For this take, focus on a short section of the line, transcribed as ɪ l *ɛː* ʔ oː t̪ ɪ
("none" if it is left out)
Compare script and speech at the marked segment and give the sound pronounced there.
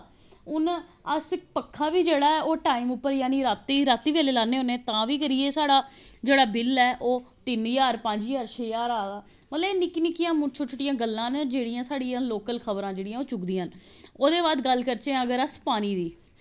ɛː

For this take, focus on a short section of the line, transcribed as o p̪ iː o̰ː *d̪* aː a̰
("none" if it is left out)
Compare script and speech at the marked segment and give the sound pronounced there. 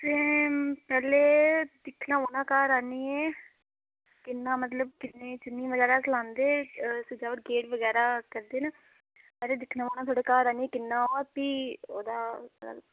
d̪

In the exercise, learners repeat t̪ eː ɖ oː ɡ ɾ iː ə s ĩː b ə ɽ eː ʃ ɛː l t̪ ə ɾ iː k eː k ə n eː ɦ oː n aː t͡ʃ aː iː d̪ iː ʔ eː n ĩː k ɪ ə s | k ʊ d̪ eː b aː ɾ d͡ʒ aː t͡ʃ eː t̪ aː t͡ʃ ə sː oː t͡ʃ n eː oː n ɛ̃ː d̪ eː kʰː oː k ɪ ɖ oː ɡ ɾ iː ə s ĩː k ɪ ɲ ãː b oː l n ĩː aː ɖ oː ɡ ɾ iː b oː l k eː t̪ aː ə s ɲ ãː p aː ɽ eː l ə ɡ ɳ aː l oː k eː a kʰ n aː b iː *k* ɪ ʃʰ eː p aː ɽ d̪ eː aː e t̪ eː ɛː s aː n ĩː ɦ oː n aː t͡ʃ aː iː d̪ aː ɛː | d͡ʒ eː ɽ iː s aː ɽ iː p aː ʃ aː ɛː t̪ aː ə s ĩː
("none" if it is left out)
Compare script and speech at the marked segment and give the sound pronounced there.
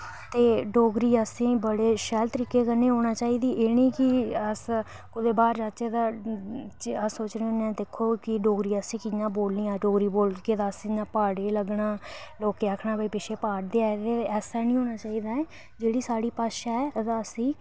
p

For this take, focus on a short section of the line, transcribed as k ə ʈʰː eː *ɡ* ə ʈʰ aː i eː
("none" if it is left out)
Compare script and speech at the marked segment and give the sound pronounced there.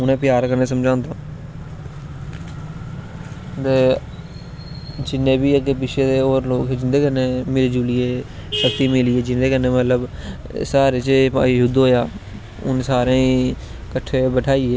b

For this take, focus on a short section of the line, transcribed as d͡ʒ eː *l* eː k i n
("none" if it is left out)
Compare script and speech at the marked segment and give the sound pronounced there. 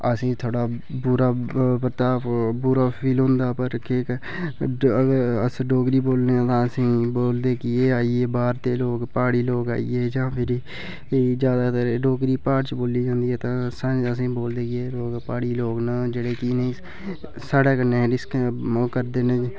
ɽ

